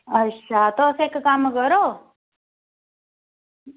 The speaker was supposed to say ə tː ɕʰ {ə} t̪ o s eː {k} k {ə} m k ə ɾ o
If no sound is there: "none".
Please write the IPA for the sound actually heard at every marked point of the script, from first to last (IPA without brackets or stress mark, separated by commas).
a, k, a